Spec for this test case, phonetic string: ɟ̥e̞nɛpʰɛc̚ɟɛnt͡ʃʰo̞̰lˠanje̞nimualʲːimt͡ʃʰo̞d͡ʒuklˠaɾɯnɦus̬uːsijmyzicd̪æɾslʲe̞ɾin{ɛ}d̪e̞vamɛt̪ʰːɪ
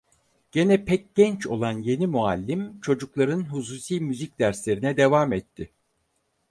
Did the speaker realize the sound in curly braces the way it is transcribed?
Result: yes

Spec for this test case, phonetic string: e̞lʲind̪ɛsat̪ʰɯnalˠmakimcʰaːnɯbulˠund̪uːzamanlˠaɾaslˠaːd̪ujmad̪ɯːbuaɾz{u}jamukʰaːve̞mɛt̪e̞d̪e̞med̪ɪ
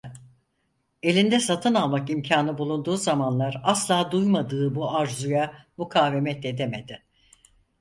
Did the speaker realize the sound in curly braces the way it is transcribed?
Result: yes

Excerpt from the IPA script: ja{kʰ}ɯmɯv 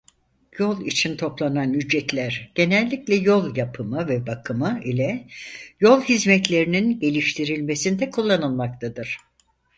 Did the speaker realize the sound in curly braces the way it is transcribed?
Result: no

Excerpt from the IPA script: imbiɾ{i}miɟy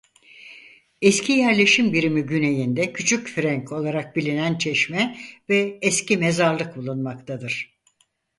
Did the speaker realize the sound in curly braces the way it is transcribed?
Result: yes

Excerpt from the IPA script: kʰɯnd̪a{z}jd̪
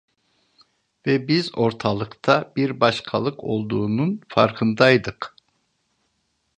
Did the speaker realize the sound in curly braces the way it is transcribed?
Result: no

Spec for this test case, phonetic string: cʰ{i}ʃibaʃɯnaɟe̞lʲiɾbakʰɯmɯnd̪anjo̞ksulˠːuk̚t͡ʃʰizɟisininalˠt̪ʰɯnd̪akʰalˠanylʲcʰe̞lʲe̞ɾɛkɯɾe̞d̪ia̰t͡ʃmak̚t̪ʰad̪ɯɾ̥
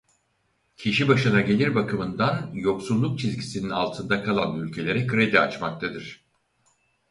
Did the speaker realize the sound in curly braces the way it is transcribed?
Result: yes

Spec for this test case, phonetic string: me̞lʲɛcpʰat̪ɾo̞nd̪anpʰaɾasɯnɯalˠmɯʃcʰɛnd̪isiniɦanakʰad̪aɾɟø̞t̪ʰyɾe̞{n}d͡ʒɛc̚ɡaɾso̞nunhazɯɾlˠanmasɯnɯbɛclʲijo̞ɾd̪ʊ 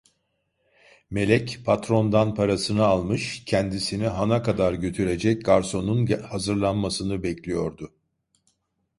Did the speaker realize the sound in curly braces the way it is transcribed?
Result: no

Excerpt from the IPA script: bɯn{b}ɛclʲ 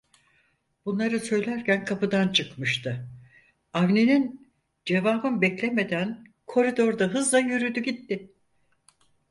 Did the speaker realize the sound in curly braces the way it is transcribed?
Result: yes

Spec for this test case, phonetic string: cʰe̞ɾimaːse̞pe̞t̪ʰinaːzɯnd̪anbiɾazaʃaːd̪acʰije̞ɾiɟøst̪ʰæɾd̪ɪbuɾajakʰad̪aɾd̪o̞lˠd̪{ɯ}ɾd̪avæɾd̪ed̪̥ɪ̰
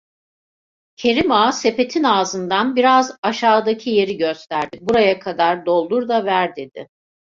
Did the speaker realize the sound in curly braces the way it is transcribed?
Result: no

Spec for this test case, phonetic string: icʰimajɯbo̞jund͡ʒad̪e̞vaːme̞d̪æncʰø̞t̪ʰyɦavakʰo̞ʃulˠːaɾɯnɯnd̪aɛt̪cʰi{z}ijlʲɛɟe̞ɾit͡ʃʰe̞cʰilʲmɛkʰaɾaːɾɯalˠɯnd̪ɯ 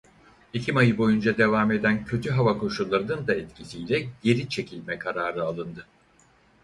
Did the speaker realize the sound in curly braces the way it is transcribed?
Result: no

